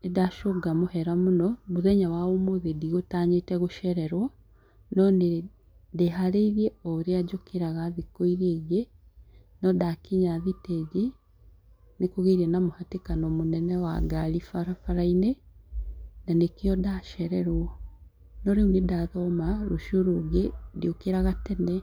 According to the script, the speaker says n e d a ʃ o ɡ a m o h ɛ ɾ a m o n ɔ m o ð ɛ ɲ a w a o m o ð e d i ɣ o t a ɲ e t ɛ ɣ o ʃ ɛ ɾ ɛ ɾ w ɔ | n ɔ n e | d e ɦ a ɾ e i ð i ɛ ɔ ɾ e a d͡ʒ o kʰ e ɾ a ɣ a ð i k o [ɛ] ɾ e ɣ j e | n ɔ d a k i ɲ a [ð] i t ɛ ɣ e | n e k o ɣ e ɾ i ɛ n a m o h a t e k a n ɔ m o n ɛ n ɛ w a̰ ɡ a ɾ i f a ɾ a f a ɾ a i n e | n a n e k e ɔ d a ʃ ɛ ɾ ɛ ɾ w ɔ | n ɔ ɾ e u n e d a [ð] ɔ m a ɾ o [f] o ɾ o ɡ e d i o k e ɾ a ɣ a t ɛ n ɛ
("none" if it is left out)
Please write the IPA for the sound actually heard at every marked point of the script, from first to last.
i, ð, ð, ʃ

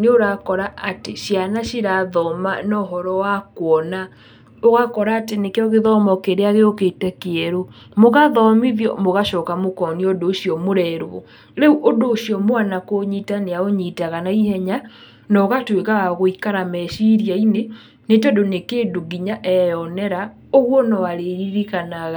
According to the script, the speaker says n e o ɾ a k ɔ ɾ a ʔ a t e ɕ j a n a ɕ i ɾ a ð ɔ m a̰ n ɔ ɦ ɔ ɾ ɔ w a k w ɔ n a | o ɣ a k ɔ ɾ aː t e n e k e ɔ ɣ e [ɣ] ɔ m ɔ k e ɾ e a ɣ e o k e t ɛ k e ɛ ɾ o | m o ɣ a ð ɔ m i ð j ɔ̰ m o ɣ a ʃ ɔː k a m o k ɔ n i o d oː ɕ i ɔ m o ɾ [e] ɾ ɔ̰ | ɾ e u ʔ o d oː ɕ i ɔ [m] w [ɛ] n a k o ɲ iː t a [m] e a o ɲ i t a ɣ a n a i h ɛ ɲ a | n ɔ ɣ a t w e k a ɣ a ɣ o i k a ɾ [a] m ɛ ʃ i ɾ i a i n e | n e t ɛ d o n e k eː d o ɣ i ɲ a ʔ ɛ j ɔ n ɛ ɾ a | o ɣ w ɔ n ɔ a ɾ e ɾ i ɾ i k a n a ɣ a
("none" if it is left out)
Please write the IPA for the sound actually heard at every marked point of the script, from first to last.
ð, ɛ, m, a, n, a

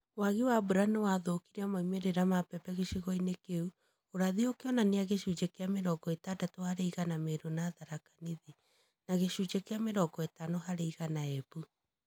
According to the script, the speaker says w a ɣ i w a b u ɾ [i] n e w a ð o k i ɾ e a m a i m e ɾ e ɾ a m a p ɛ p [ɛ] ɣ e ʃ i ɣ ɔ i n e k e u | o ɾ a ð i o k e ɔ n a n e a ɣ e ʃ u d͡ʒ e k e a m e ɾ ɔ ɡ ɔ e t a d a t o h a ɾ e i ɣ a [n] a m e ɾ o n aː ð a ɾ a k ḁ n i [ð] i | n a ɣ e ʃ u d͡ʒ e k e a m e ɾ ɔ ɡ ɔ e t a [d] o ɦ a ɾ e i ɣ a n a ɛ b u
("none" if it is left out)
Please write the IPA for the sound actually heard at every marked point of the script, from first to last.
a, ɛ, n, ð, n

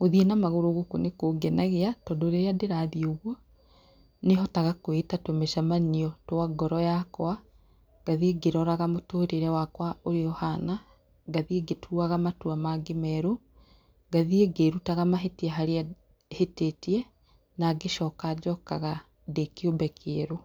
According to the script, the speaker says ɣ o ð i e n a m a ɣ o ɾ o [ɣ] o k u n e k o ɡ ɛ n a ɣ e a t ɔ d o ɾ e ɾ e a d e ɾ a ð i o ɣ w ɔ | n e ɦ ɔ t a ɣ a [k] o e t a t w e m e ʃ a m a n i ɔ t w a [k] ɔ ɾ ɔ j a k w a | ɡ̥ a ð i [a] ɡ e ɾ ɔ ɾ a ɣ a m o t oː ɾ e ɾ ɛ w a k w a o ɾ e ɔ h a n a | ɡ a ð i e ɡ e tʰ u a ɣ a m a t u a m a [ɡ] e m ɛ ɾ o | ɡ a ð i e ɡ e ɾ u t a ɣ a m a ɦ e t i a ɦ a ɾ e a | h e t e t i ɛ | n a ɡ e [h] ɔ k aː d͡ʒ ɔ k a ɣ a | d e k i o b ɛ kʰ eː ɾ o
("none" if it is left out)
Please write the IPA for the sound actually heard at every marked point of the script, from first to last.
ɣ, k, ɡ, e, ɡ, ʃ

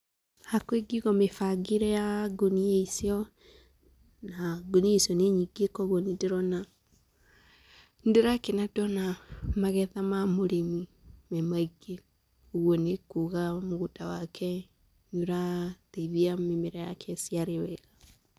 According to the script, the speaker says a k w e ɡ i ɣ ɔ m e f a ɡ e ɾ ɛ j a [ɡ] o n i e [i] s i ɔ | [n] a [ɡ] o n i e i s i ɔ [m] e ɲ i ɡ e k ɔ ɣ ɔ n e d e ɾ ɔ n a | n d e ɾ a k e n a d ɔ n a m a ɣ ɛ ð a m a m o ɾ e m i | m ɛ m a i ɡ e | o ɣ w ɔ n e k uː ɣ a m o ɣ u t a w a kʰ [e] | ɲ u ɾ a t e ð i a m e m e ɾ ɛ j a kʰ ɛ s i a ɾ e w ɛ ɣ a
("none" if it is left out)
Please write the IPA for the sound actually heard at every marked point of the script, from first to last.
ɡ, i, n, ɡ, n, ɛ

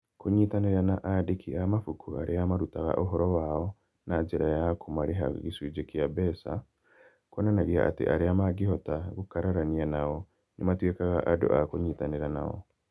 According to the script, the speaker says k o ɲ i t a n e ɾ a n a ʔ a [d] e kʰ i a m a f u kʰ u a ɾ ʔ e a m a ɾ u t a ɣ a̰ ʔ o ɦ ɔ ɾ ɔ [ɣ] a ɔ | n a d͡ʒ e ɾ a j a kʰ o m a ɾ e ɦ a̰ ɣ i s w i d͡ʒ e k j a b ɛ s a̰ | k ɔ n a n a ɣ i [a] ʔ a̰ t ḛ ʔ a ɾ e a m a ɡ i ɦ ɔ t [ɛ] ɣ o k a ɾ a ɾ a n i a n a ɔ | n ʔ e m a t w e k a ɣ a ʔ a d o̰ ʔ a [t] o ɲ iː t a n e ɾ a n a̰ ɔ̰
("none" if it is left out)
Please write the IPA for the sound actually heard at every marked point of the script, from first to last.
d, w, a, a, k

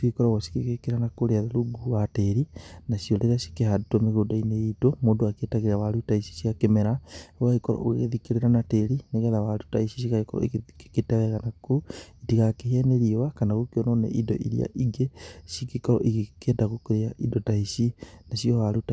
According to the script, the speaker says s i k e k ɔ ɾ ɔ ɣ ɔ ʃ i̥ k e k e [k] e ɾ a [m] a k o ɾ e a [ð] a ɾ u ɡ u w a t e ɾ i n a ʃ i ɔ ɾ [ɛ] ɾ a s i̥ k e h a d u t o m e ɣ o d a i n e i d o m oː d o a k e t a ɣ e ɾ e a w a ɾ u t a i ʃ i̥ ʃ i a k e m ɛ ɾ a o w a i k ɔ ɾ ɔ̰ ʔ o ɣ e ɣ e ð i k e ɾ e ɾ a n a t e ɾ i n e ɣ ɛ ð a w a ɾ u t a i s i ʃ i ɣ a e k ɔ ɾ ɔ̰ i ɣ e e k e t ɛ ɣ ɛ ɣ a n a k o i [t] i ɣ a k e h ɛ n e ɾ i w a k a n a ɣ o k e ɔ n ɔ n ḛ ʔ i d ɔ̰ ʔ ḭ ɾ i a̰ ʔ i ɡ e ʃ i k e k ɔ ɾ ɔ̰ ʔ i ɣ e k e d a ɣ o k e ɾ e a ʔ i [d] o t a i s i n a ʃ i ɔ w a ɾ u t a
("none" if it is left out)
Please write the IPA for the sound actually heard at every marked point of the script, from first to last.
k, n, ð, e, t, d

